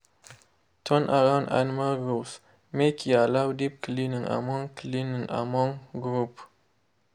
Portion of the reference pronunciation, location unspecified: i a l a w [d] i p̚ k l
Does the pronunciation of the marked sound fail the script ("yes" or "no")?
no